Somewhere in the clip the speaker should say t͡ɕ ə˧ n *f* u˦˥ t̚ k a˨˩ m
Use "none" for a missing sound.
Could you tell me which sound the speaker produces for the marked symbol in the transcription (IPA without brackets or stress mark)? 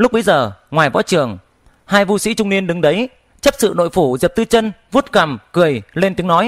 v